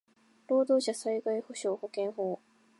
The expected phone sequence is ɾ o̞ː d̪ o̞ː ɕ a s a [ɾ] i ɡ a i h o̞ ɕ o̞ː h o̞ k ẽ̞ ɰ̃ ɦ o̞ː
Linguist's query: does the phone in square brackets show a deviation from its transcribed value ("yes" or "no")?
yes